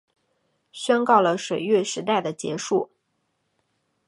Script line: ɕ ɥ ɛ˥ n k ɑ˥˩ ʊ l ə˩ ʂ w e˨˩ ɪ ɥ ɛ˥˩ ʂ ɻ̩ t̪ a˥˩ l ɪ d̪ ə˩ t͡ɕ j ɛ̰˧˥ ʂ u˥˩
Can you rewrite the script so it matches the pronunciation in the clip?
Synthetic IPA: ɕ ɥ ɛ˥ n k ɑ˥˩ ʊ l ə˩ ʂ w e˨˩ ɪ ɥ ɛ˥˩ ʂ ɻ̩ t̪ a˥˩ ɪ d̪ ə˩ t͡ɕ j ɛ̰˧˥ ʂ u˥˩

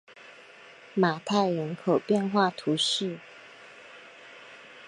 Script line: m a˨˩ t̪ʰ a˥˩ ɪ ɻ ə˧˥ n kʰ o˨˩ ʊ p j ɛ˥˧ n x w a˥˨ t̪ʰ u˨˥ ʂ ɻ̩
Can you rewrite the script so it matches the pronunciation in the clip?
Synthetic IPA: m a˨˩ t̪ʰ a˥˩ ɪ ɻ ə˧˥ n kʰ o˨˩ ʊ p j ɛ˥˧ n x w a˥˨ t̪ʰ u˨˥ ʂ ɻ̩

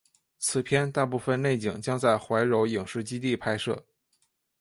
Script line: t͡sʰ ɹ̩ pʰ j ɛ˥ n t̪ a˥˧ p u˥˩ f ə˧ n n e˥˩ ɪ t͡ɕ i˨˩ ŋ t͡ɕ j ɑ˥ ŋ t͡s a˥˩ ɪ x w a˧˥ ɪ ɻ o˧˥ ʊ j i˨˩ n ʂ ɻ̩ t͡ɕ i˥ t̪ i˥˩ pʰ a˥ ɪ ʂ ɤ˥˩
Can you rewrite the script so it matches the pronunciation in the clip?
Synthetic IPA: t͡sʰ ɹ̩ pʰ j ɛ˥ n t̪ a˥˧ p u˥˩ f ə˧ n n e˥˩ ɪ t͡ɕ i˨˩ ŋ t͡ɕ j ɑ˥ ŋ t͡s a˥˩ ɪ x w a˧˥ ɪ ɻ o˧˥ ʊ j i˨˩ ŋ ʂ ɻ̩ t͡ɕ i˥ t̪ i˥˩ pʰ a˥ ɪ ʂ ɤ˥˩

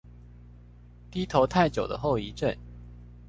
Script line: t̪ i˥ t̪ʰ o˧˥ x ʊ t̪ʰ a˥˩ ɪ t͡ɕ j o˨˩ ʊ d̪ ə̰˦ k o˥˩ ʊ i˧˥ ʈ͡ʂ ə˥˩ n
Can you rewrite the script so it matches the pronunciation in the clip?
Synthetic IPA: t̪ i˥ t̪ʰ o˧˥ ʊ t̪ʰ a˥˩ ɪ t͡ɕ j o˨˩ ʊ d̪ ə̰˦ x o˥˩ ʊ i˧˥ ʈ͡ʂ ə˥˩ n

